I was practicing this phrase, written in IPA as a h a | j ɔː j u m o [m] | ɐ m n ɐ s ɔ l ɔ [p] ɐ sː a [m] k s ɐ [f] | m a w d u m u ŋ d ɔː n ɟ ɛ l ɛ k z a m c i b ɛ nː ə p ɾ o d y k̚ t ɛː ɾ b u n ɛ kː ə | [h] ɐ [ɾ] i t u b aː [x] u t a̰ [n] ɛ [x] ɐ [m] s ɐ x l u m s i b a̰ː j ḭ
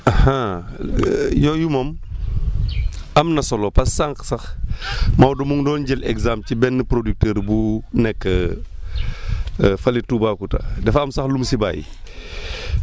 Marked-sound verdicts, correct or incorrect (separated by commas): correct, correct, incorrect, incorrect, incorrect, incorrect, incorrect, incorrect, incorrect, correct